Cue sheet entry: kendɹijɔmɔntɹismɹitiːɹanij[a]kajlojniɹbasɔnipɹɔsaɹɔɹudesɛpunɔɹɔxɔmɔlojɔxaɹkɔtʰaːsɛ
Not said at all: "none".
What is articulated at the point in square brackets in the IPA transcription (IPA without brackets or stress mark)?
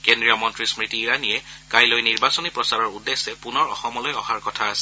ɛ